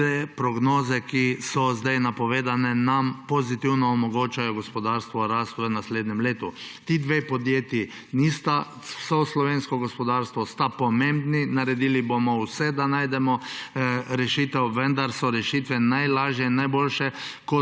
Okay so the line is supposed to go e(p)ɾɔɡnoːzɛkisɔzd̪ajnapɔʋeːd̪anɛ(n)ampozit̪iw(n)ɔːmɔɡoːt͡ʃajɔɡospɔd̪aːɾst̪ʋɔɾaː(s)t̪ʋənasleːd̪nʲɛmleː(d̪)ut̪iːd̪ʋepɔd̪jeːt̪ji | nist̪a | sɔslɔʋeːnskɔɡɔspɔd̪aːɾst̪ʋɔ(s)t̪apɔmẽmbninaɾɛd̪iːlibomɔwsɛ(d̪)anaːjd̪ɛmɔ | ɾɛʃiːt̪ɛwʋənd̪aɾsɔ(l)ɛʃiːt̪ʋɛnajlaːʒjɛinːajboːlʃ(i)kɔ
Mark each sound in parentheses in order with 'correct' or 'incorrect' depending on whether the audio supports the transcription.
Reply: correct, correct, correct, correct, incorrect, correct, correct, incorrect, incorrect

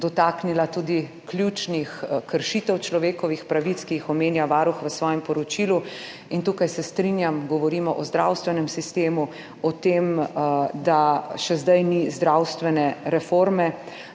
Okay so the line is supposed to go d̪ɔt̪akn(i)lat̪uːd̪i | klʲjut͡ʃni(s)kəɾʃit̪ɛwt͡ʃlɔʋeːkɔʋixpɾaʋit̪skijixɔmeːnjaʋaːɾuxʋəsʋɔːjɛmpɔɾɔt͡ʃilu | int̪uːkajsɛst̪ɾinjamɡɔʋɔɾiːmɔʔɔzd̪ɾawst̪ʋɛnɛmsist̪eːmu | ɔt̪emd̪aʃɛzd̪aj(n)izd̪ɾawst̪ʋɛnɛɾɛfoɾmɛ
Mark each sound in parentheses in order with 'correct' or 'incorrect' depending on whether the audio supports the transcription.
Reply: correct, incorrect, correct

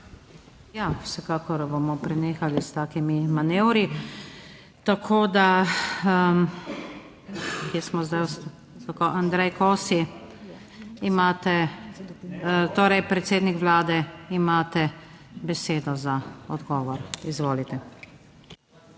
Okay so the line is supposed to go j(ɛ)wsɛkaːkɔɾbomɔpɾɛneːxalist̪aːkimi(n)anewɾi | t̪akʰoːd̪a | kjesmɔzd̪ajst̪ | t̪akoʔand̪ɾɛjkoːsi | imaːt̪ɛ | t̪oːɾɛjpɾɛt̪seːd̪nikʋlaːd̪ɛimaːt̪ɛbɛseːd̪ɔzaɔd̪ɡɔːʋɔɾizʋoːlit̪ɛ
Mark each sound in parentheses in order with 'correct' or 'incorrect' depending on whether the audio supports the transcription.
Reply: incorrect, incorrect

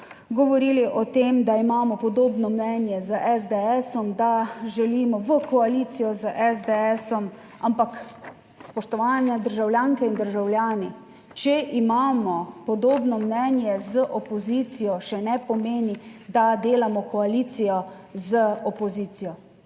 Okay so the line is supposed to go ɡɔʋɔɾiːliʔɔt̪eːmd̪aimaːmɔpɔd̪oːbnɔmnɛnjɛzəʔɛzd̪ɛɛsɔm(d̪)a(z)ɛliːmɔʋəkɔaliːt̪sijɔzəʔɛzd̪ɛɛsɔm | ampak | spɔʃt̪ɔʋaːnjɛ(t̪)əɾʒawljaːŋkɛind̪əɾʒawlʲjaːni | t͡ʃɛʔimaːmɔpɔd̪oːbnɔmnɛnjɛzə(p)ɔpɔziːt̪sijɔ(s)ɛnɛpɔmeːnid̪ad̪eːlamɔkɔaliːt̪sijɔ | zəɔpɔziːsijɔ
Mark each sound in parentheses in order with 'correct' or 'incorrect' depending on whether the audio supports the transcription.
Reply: correct, incorrect, incorrect, incorrect, incorrect

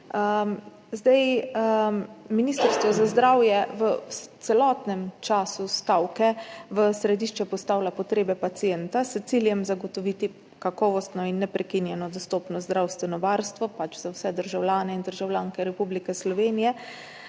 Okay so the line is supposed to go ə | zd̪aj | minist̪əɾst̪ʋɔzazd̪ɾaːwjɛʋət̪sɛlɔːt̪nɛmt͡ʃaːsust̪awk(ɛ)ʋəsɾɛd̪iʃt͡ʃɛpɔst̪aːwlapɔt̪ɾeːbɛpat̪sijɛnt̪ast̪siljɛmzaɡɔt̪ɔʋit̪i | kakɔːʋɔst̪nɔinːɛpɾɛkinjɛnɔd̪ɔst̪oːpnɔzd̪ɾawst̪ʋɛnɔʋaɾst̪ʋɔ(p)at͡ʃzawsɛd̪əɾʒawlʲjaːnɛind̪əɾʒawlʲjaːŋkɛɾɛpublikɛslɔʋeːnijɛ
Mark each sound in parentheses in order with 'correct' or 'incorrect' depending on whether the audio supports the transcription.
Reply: correct, correct

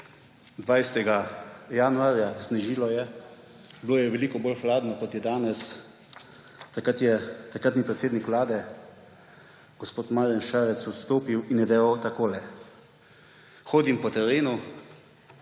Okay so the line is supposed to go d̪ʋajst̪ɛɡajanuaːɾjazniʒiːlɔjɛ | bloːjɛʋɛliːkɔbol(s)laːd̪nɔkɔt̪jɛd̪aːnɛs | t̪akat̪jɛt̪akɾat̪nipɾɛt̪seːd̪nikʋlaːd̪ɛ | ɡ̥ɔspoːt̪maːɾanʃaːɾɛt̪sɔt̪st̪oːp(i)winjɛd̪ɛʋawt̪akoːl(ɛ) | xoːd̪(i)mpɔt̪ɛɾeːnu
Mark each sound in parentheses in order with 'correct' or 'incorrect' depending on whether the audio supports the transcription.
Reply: incorrect, correct, correct, correct

